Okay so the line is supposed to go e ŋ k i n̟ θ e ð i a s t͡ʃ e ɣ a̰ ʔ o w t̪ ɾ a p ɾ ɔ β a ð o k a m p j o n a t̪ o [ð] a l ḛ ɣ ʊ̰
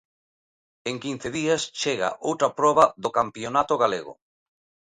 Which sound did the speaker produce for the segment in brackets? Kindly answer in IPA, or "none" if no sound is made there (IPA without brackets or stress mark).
ɣ